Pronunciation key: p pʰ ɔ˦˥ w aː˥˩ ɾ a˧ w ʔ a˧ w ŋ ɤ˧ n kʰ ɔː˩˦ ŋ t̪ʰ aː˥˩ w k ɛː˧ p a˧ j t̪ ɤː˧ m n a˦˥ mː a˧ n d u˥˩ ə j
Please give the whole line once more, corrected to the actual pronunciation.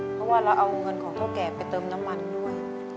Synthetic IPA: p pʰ ɔ˦˥ w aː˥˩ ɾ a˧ w ʔ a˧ w ŋ ɤ˧ n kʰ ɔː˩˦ ŋ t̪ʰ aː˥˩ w k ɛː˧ p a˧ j t̪ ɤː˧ m n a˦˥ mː a˧ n d u˥˩ ə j